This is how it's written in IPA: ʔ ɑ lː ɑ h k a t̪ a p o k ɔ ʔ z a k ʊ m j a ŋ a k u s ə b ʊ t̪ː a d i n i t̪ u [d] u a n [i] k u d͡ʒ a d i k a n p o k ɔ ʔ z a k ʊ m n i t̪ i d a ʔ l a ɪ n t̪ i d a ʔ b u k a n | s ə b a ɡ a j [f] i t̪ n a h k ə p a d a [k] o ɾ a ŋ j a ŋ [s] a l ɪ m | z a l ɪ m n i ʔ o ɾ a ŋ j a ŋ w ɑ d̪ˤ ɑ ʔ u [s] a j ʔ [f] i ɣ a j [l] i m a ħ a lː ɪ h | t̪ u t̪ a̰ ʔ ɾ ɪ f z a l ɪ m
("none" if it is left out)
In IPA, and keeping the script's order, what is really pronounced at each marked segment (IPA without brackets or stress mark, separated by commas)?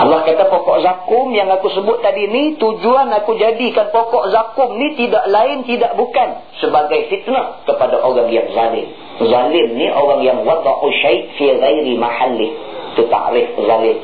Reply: d͡ʒ, a, f, ʔ, z, ʃ, f, ɾ